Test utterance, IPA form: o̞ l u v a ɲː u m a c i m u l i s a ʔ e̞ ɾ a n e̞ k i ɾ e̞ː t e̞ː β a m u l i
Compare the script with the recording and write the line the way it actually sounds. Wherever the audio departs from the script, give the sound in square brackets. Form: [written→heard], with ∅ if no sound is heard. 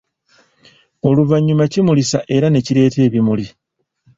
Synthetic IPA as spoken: o̞ l u v a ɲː u m a c i m u l i s a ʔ e̞ ɾ a n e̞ [k→c] i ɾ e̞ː t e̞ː β [a→i] m u l i

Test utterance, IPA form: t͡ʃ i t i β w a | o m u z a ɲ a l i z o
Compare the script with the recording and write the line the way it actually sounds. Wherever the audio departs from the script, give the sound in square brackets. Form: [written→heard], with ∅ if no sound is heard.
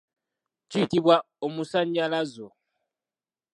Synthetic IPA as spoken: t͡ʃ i t i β w a | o m u [z→s] a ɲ a l [i→a] z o

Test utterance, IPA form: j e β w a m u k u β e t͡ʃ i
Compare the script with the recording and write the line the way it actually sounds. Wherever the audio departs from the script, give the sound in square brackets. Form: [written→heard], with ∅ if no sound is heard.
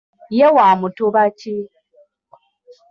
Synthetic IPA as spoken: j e [β→∅] w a m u [k→t] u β [e→a] t͡ʃ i

